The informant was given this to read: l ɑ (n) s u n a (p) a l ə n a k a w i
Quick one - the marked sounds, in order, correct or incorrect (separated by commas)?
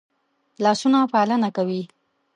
incorrect, correct